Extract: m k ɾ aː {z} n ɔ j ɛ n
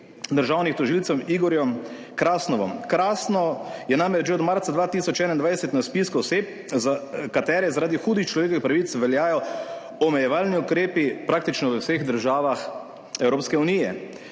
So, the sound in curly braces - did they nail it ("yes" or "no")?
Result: no